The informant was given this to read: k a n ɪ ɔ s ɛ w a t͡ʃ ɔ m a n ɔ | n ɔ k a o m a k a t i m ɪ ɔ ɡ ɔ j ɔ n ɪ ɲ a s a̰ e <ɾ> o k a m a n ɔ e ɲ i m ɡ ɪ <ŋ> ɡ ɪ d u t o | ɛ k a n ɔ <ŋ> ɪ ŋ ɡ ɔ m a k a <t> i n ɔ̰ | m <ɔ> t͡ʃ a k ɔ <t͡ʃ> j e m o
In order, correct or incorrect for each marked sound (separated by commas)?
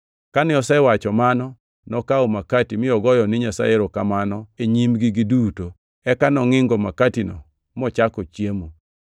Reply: correct, incorrect, correct, correct, correct, correct